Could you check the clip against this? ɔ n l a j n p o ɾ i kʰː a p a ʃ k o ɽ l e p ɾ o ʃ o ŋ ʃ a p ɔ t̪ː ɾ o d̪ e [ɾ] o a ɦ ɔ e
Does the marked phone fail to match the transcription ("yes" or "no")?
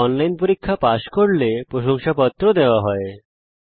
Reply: yes